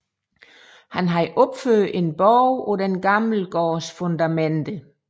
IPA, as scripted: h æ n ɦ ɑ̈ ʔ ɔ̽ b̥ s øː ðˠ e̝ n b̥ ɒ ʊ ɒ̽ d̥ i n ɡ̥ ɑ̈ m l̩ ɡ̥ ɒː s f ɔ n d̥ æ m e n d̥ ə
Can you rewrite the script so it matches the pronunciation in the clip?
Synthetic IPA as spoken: h æ n ɦ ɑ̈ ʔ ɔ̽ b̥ f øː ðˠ e̝ n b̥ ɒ ʊ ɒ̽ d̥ e n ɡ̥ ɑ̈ m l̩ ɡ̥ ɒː s f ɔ n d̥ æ m e n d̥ ə